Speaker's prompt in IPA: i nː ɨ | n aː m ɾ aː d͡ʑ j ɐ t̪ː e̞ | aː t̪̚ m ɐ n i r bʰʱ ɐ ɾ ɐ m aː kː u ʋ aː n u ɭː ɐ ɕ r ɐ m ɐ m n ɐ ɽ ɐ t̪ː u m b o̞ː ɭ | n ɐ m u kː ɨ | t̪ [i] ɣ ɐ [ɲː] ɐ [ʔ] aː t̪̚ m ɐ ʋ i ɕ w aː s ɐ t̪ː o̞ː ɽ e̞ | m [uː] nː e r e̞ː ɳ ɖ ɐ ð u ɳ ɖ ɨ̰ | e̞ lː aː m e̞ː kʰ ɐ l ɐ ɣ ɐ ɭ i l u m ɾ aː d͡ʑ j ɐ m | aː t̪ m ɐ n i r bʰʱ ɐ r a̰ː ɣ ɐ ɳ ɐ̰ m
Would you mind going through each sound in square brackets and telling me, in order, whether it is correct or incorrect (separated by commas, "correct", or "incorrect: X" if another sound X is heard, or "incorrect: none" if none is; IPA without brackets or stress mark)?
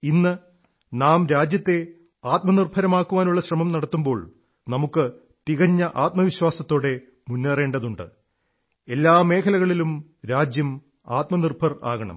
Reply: correct, correct, correct, incorrect: u